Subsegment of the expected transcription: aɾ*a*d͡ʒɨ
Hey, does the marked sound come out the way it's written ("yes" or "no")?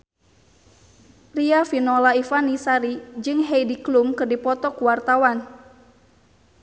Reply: no